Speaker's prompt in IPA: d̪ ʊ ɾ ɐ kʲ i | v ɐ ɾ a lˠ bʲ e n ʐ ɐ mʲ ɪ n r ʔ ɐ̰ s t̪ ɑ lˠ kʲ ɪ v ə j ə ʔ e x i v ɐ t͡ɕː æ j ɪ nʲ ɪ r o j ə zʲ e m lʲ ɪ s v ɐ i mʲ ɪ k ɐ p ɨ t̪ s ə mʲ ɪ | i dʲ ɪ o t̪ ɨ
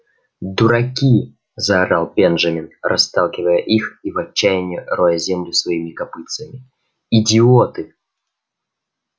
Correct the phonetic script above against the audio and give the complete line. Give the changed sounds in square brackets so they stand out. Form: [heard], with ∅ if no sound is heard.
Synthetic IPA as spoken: d̪ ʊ ɾ ɐ kʲ i | [z] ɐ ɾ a lˠ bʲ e n ʐ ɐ mʲ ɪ n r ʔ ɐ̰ s t̪ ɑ lˠ kʲ ɪ v ə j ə ʔ [i] x i v ɐ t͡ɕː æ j ɪ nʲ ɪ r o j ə zʲ e m lʲ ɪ s v ɐ i mʲ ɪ k ɐ p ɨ t̪ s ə mʲ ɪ | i dʲ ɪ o t̪ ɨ

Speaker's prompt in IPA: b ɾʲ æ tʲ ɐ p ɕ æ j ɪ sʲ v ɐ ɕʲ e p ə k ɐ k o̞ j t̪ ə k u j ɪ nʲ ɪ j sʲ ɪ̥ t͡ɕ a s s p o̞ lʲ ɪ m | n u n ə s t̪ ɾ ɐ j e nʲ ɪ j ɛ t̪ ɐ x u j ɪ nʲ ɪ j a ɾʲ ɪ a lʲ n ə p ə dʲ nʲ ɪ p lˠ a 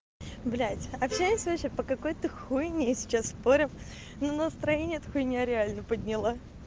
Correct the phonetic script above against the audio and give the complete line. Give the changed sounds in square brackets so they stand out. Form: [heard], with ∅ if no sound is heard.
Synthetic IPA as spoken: b [lʲ] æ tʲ ɐ p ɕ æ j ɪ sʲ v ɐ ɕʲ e p ə k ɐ k o̞ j t̪ ə [x] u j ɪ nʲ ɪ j sʲ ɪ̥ t͡ɕ a s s p o̞ [ɾʲ] ɪ m | n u n ə s t̪ ɾ ɐ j e nʲ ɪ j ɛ t̪ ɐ x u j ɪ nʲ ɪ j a ɾʲ ɪ a lʲ n ə p ə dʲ nʲ ɪ [∅] lˠ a

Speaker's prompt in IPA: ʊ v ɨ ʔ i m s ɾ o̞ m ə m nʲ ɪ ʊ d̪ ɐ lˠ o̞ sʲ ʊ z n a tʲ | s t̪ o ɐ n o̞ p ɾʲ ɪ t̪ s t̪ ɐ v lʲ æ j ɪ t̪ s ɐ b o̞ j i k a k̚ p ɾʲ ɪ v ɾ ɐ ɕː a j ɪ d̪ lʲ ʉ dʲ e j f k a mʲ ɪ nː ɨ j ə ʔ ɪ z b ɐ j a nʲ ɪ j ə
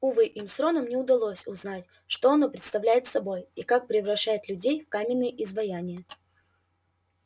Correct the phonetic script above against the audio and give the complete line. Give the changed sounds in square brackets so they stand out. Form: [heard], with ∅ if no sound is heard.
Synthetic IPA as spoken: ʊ v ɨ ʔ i m s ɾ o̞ [n] ə m nʲ ɪ ʊ d̪ ɐ lˠ o̞ sʲ ʊ z n a tʲ | [ʂ] t̪ o ɐ n o̞ p ɾʲ ɪ t̪ s t̪ ɐ v lʲ æ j ɪ t̪ s ɐ b o̞ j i k a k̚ p ɾʲ ɪ v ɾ ɐ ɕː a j ɪ [t̪] lʲ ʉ dʲ e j f k a mʲ ɪ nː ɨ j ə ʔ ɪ z [v] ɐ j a nʲ ɪ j ə

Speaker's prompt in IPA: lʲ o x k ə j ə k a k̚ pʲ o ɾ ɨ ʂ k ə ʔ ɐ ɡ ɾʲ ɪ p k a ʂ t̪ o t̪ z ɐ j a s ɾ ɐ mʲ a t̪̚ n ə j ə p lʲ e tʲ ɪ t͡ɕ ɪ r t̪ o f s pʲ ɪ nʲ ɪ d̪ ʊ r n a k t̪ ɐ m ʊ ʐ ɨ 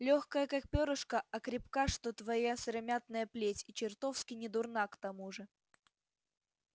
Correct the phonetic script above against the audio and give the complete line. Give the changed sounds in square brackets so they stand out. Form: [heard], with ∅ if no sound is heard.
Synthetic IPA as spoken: lʲ o x k ə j ə k a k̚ pʲ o ɾ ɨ ʂ k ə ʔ ɐ [k] ɾʲ ɪ p k a ʂ t̪ o t̪ [v] ɐ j a s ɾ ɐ mʲ a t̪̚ n ə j ə p lʲ e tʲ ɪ t͡ɕ ɪ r t̪ o f s [kʲ] ɪ nʲ ɪ d̪ ʊ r n a k t̪ ɐ m [u] ʐ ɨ

